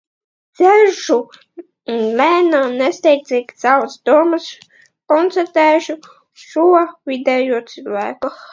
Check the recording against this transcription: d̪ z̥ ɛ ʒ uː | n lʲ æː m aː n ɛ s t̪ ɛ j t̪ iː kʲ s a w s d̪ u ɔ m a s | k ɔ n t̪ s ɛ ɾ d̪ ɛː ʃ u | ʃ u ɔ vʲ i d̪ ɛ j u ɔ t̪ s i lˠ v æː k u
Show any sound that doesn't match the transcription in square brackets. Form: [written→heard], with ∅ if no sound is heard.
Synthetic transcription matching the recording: d̪ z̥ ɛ ʒ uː | n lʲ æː [m→n] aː n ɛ s t̪ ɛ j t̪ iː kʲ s a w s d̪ u ɔ m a s | k ɔ n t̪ s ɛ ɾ [d̪→t̪] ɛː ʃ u | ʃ u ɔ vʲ i d̪ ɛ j u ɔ t̪ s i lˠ v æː k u